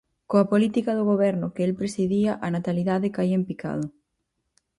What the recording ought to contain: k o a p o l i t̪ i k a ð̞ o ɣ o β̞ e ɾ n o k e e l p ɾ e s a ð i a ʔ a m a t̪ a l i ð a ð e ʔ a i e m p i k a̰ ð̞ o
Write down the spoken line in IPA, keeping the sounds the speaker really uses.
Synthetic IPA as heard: k o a p o l i t̪ i k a ð̞ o ɣ o β̞ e ɾ n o k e e l p ɾ e s i ð i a ʔ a n a t̪ a l i ð a ð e k a i e m p i k a̰ ð̞ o